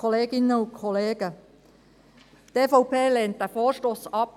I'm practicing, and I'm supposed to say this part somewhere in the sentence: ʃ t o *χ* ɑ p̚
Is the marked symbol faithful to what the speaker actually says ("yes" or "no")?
no